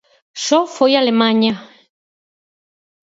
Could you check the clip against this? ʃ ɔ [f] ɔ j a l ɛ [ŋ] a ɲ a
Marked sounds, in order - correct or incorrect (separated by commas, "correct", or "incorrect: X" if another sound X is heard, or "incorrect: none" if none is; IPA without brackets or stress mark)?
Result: correct, incorrect: m